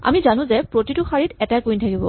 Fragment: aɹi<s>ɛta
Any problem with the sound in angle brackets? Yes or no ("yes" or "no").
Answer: yes